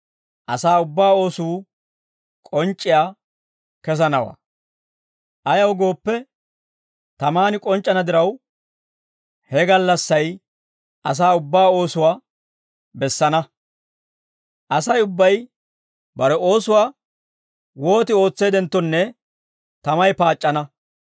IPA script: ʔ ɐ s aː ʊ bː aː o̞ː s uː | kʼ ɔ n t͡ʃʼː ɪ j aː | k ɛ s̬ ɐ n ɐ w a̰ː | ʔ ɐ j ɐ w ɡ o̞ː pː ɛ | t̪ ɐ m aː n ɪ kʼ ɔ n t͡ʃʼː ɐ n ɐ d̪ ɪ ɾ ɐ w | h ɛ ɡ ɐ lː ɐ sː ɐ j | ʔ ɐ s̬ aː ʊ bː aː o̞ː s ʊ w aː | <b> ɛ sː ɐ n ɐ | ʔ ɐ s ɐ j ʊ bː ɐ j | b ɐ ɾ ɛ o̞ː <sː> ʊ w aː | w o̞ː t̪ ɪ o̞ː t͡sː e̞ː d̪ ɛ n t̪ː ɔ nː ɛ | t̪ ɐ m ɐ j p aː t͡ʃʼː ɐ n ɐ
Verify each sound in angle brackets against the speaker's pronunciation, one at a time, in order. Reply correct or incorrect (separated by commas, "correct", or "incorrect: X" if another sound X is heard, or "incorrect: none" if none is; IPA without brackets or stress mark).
correct, incorrect: s